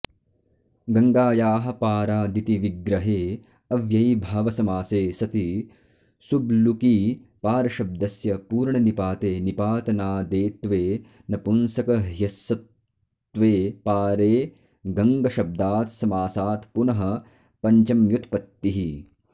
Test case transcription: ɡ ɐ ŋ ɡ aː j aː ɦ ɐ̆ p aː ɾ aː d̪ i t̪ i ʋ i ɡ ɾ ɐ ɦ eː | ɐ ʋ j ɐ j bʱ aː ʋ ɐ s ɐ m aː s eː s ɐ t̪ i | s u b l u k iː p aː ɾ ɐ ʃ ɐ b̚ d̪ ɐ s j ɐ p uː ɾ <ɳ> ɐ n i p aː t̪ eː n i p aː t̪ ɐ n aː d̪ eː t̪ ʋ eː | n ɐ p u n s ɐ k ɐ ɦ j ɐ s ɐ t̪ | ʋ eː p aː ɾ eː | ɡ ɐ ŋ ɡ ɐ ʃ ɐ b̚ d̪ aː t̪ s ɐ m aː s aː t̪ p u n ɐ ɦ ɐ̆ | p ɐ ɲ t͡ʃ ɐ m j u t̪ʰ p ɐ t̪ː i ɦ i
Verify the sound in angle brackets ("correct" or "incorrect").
correct